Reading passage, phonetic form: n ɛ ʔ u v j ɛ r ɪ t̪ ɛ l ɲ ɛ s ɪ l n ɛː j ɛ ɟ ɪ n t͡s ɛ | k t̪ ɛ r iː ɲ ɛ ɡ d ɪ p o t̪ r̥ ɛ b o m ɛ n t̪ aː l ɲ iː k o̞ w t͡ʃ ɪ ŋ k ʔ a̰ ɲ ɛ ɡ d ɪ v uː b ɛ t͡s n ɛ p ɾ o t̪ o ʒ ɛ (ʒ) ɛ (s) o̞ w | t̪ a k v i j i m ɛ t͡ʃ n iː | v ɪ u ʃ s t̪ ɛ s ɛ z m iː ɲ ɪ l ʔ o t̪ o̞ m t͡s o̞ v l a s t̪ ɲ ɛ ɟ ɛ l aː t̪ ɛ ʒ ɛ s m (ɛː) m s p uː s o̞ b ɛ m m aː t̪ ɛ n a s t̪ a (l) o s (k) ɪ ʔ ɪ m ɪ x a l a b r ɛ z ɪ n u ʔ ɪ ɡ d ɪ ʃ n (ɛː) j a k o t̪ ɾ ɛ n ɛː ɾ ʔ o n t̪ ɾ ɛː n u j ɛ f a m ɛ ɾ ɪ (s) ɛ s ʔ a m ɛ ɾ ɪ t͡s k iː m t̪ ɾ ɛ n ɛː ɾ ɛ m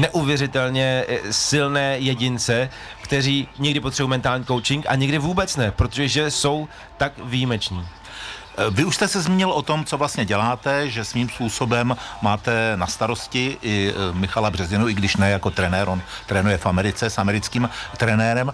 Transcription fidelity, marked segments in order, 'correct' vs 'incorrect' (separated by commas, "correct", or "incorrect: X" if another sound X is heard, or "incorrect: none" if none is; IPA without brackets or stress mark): correct, correct, incorrect: iː, incorrect: ɾ, incorrect: c, incorrect: ɛ, incorrect: t͡s